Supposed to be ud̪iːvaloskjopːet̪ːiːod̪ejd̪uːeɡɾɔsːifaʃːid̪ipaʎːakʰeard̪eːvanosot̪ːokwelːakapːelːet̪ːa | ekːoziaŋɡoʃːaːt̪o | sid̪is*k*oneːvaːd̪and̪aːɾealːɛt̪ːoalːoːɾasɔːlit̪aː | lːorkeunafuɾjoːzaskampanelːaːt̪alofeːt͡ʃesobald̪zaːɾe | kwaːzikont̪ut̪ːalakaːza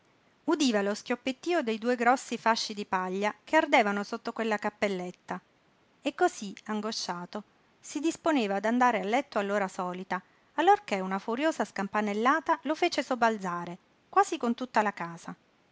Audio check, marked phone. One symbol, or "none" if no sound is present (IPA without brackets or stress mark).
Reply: p